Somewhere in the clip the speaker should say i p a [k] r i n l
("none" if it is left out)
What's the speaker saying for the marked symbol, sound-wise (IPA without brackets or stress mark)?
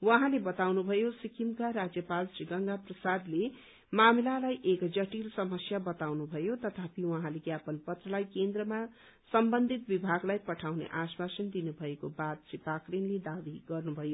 k